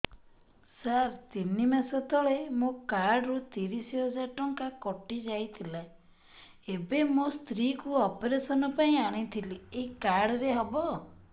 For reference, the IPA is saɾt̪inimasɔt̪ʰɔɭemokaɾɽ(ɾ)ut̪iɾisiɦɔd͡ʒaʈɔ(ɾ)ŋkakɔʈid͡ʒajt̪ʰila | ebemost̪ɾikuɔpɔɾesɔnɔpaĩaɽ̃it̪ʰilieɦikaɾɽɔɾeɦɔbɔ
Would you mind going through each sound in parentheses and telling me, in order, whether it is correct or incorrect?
correct, incorrect: none

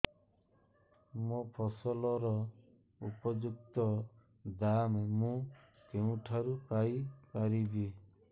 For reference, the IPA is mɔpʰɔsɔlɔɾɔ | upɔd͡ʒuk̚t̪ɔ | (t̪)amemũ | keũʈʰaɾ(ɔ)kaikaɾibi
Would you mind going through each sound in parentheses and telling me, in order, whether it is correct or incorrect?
incorrect: d̪, incorrect: u

